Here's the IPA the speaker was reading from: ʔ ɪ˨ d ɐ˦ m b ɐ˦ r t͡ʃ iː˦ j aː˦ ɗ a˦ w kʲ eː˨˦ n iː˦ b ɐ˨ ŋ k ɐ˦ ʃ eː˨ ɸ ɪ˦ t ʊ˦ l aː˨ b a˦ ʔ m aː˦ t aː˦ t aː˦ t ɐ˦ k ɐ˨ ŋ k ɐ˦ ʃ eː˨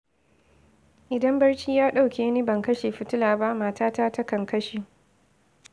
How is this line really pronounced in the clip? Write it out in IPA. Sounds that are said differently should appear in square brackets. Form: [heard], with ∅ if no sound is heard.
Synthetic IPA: ʔ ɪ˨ d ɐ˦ m b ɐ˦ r t͡ʃ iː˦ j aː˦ ɗ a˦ w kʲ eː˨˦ n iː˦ b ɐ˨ ŋ k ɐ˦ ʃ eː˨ ɸ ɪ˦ t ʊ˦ l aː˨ b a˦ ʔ m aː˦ t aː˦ t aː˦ t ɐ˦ k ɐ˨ ŋ k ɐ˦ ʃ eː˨

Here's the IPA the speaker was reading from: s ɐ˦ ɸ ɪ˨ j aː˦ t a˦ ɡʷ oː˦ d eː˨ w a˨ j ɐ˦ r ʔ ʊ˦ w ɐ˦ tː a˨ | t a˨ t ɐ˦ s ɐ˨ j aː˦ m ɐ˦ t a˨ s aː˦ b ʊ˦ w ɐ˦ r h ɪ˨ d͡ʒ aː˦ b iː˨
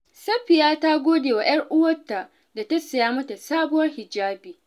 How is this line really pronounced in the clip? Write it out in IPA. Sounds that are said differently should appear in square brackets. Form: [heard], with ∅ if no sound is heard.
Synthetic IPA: s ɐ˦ ɸ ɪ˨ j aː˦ t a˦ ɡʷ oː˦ d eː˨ w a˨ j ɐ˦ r ʔ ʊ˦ w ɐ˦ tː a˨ | [d] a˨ t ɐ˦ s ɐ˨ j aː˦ m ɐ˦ t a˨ s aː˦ b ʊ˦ w ɐ˦ r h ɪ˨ d͡ʒ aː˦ b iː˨

